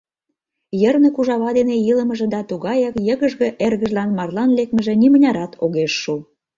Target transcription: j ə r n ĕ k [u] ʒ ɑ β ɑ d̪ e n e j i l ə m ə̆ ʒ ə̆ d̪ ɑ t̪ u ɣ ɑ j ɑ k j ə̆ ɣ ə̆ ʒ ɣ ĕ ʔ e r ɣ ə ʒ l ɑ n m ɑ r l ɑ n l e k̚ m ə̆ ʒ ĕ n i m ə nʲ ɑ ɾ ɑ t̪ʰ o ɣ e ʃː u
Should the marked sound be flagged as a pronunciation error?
no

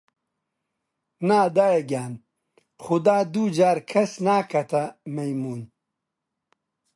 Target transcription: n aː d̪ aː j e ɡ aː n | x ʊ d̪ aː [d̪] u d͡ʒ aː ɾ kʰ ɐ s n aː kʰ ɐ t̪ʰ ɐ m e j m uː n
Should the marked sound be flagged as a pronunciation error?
no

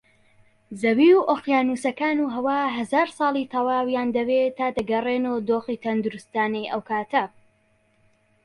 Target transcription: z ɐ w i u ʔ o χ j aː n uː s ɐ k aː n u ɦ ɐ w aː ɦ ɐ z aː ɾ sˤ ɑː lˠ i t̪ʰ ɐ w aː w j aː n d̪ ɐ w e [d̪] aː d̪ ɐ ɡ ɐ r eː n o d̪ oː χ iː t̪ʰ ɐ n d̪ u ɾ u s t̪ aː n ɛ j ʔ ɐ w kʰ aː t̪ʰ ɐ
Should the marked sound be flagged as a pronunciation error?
yes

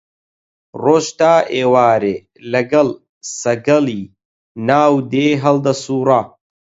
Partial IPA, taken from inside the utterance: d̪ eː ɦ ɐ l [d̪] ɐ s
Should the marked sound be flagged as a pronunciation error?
no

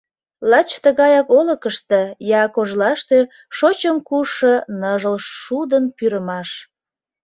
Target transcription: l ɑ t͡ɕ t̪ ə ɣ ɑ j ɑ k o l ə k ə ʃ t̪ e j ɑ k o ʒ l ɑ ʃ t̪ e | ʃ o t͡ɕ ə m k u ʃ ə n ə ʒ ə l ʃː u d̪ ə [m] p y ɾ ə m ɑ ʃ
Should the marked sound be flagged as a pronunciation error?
yes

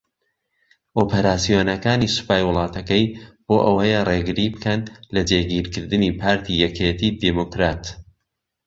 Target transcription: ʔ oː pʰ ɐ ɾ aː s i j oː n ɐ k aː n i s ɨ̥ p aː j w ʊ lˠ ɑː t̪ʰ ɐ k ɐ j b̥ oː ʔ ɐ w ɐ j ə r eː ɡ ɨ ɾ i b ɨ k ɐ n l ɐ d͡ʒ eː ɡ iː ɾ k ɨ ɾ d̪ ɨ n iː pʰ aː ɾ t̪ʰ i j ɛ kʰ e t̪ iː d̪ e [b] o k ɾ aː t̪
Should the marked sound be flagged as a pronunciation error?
yes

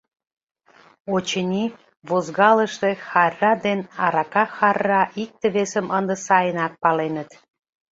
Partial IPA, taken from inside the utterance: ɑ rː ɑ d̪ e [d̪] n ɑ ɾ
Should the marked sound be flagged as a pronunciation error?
yes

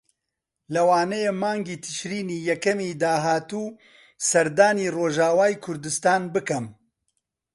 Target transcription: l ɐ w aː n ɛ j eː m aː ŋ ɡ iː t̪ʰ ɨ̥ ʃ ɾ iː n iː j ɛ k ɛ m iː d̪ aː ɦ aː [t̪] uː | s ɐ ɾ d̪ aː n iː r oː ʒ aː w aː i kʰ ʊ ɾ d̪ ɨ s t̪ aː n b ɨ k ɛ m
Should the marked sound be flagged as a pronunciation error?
no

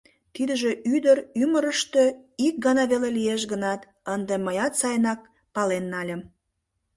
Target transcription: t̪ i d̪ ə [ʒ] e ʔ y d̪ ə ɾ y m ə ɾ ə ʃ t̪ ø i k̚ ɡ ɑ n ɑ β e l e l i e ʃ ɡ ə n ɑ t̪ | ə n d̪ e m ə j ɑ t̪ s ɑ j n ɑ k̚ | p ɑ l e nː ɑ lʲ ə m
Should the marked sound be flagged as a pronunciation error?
no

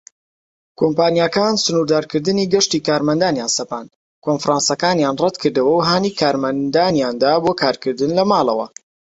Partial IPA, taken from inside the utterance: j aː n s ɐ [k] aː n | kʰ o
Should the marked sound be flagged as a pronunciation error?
yes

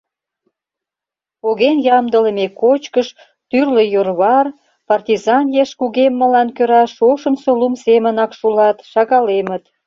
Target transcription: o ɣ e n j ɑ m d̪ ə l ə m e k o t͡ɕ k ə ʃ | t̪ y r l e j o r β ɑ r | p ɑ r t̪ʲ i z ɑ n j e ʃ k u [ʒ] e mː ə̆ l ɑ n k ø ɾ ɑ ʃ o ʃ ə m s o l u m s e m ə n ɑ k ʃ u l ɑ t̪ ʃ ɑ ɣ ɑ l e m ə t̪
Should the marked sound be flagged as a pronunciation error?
yes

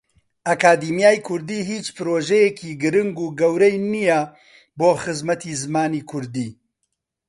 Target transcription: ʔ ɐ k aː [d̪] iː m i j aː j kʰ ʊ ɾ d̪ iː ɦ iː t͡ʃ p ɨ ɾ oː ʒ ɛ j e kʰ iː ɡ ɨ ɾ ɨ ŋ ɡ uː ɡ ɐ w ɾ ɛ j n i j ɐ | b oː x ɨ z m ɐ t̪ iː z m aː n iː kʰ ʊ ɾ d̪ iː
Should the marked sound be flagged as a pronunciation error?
no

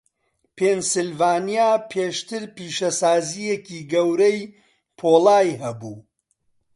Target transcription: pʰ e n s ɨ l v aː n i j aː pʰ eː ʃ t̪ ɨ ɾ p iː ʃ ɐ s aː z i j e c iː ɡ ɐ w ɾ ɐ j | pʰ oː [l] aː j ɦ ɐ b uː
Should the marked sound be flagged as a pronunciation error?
no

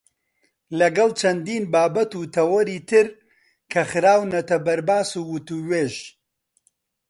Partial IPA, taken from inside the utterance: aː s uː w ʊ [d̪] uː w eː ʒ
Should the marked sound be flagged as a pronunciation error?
yes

